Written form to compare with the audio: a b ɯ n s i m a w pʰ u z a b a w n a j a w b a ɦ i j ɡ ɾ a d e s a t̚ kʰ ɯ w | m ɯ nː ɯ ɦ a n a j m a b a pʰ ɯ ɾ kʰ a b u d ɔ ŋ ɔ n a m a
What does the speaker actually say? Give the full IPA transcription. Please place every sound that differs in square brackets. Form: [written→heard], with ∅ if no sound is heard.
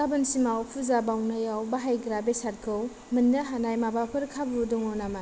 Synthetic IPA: a b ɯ n s i m a w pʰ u z a b a w n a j a w b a ɦ [i→a] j ɡ ɾ a [d→b] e s a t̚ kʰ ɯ w | m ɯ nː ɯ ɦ a n a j m a b a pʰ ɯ ɾ kʰ a b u d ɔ ŋ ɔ n a m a